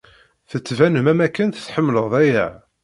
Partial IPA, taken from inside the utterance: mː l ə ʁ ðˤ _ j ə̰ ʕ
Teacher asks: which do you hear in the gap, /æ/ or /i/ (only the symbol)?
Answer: æ